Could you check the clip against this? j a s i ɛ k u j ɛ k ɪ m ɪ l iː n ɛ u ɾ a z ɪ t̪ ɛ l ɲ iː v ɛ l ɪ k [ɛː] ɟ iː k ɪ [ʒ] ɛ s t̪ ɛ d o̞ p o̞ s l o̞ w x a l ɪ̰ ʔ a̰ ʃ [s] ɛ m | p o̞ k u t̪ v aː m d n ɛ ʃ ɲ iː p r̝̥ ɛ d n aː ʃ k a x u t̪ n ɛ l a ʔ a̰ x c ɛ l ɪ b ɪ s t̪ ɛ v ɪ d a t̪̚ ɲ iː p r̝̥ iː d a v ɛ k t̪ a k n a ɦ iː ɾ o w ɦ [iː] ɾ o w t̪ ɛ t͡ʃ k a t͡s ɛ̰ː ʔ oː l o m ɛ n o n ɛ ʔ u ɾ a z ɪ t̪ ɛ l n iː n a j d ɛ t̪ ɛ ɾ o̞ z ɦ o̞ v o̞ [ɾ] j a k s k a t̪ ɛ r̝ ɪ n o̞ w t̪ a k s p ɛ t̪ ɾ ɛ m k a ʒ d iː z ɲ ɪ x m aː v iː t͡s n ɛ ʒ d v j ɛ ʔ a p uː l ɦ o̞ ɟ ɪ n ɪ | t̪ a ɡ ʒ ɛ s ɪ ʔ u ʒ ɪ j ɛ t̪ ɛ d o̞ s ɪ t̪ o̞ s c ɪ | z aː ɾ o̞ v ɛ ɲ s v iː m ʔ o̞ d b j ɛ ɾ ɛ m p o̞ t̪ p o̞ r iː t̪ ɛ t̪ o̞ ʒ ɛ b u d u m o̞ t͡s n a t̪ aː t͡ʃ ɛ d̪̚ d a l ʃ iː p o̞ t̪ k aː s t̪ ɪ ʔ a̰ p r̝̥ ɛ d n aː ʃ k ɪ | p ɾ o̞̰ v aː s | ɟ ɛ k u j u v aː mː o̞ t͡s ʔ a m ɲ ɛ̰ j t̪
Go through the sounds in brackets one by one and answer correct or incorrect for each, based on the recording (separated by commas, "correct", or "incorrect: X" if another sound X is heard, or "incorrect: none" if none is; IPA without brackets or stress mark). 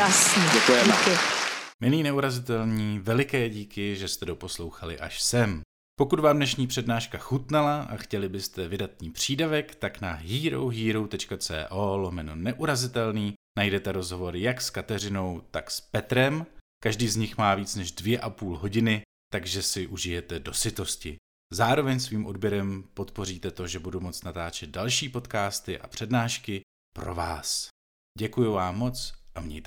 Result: correct, correct, correct, correct, correct